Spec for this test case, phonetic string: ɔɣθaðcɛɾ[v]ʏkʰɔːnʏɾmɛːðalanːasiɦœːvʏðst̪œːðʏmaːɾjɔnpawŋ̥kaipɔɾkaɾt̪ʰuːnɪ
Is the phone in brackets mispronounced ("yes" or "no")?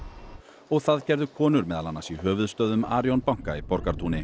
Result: yes